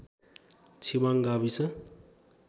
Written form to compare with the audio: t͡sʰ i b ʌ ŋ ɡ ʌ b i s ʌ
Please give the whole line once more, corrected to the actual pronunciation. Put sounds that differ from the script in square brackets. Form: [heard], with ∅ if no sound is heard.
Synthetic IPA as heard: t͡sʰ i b [a] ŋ ɡ [a] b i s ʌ